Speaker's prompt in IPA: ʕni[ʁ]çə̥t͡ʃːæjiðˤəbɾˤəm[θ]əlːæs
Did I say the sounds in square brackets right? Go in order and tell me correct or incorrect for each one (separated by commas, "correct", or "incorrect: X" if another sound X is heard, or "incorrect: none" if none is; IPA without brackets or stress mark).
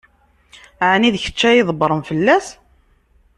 incorrect: ð, incorrect: f